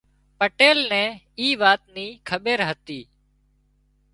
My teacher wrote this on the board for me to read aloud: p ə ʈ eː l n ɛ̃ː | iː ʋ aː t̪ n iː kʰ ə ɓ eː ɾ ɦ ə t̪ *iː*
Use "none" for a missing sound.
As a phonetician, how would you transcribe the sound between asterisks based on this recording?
iː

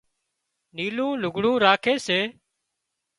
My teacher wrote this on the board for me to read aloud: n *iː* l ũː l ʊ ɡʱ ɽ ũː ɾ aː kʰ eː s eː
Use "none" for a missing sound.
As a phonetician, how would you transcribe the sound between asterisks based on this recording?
iː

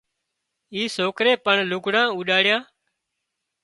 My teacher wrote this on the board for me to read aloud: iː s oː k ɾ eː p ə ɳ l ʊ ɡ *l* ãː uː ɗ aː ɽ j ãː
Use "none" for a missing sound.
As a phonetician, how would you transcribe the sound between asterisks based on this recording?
ɽ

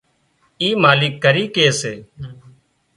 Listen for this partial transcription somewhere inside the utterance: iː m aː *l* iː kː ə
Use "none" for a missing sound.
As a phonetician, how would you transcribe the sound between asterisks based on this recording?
l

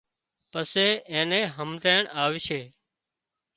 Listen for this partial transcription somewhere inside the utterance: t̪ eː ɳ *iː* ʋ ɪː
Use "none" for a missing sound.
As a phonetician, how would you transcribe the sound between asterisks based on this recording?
aː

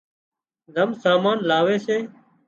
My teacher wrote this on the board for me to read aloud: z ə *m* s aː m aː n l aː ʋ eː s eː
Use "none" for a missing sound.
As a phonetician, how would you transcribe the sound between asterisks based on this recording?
m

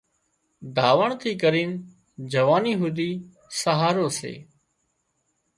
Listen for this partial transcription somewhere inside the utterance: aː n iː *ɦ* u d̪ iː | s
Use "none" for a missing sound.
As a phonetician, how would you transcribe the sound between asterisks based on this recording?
ɦ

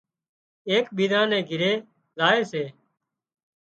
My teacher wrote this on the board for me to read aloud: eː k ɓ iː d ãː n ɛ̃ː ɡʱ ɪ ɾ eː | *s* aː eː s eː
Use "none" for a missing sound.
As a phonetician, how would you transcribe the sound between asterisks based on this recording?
z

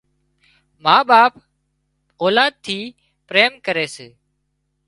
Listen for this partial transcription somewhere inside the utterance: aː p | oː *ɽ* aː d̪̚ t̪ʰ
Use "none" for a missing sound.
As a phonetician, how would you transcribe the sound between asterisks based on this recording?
l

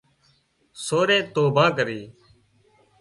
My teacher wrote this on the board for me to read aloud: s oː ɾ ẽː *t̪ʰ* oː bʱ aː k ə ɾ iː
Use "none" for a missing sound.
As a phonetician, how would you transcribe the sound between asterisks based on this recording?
t̪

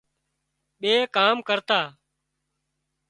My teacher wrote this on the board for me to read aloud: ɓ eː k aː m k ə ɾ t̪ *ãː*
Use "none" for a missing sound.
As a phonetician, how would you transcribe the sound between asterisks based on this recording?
aː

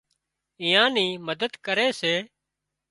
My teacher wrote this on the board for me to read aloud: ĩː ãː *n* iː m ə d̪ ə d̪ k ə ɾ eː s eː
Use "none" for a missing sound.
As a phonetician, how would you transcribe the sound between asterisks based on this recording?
n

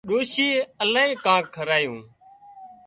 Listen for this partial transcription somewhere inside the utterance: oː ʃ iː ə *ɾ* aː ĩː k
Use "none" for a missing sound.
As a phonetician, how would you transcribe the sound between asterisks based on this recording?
l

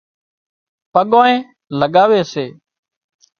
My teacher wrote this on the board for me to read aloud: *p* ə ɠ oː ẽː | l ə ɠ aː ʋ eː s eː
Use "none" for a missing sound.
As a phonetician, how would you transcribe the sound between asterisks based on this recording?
p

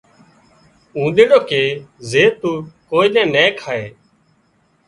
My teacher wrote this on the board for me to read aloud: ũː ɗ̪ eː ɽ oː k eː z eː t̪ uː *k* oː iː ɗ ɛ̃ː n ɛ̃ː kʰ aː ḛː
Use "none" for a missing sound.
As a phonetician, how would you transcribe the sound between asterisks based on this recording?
k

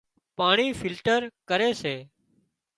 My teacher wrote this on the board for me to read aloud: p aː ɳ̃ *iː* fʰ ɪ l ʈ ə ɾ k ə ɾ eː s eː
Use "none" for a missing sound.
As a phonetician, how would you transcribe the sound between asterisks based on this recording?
iː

